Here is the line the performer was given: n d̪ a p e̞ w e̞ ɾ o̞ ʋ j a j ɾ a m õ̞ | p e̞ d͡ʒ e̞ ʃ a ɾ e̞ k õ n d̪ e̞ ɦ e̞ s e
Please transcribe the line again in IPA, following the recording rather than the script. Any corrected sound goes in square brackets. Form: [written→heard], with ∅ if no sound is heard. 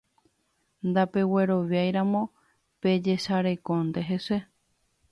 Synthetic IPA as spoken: n d̪ a p e̞ w e̞ ɾ o̞ ʋ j a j ɾ a m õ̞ | p e̞ d͡ʒ e̞ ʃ a ɾ e̞ k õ n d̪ e̞ ɦ e̞ s e